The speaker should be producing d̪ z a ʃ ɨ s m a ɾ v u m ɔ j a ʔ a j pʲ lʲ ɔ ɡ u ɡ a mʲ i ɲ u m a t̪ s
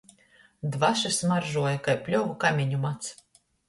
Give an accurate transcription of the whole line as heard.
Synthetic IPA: d̪ v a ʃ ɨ s m a ɾ ʒ u ɔ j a k a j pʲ lʲ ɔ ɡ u k a mʲ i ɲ u m a t̪ s

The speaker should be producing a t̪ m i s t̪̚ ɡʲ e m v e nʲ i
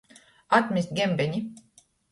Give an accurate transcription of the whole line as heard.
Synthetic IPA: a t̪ m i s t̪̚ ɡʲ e m b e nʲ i

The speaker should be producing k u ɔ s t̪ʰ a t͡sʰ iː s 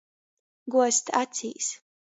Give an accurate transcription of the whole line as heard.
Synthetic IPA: ɡ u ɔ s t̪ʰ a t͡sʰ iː s

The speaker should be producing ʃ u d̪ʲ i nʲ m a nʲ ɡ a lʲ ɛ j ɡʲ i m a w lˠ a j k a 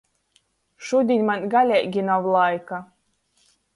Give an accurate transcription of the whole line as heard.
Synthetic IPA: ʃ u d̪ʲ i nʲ m a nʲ ɡ a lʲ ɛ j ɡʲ i n a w lˠ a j k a

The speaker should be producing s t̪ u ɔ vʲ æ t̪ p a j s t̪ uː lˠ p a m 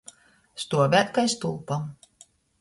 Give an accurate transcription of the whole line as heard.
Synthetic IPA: s t̪ u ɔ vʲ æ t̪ k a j s t̪ u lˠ p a m

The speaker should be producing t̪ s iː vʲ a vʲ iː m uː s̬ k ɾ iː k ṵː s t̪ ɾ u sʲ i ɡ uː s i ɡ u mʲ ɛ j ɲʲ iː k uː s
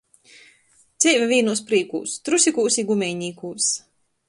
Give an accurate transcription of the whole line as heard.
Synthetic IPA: t̪ s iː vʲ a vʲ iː n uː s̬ p ɾ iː k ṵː s t̪ ɾ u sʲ i k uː s i ɡ u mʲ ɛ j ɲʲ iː k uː s

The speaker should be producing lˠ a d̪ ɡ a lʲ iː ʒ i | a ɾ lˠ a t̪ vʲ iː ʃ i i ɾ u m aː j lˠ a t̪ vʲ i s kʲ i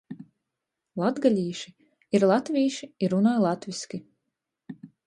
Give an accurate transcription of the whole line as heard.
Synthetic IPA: lˠ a d̪ ɡ a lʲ iː ʃ i | i ɾ lˠ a t̪ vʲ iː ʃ i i ɾ u n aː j lˠ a t̪ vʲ i s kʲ i

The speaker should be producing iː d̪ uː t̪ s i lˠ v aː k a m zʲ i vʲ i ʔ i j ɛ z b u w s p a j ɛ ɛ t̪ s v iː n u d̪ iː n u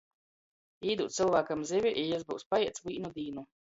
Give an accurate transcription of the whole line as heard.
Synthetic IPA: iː d̪ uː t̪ s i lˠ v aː k a m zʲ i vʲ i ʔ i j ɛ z b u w s p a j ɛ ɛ t̪ s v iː n u d̪ iː n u

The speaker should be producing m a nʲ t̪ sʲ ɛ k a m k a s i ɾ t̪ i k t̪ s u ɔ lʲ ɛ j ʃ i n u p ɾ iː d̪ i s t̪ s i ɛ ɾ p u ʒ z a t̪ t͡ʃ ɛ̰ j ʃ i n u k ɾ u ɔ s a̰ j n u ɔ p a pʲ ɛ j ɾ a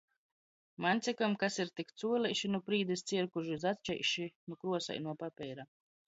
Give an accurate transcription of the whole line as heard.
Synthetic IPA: m a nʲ t̪ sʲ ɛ k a m k a s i ɾ t̪ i k t̪ s u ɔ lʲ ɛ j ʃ i n u p ɾ iː d̪ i s t̪ s i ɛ ɾ k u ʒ z a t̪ t͡ʃ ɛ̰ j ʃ i n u k ɾ u ɔ s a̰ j n u ɔ p a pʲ ɛ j ɾ a

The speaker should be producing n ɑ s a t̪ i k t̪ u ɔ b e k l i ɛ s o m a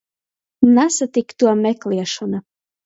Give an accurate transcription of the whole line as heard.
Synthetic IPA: n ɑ s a t̪ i k t̪ u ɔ m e k l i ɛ ʃ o n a

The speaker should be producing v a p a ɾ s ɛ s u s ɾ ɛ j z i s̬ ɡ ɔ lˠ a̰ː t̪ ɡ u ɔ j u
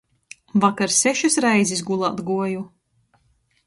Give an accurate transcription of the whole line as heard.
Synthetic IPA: v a k a ɾ s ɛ ʃ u s ɾ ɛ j z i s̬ ɡ u lˠ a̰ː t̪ ɡ u ɔ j u

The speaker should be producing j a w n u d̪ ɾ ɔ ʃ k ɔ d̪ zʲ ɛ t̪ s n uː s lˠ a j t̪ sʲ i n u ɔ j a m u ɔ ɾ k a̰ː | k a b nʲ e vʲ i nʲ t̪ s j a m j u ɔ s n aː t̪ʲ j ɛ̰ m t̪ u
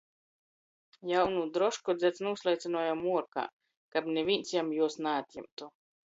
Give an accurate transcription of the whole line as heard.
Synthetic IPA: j a w n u d̪ ɾ ɔ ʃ k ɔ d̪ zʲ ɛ t̪ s n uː s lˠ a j t̪ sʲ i n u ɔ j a m u ɔ ɾ k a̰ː | k a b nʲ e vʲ i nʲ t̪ s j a m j u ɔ s n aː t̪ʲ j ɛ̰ m t̪ u

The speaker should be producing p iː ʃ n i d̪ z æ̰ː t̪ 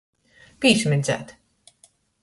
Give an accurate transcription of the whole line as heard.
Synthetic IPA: p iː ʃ m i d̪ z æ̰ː t̪

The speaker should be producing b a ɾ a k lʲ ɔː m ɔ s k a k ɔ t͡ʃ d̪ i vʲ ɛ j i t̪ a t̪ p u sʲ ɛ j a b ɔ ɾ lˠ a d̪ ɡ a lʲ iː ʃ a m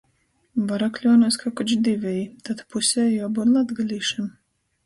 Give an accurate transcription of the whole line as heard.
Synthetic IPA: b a ɾ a k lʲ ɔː n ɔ s k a k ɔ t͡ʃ d̪ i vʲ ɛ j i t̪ a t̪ p u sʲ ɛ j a b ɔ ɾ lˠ a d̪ ɡ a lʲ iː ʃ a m

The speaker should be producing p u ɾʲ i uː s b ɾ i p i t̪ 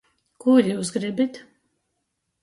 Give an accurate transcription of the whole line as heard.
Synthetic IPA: k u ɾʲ j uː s ɡ ɾ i b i t̪

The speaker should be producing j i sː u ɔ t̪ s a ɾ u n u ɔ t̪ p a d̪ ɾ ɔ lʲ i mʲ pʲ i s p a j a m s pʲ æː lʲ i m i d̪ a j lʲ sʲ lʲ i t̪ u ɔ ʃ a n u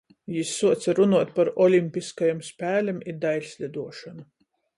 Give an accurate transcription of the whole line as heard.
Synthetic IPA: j i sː u ɔ t̪ s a ɾ u n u ɔ t̪ p a ɾ ɔ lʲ i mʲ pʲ i s k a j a m s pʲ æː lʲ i m i d̪ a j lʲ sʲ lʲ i d̪ u ɔ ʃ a n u

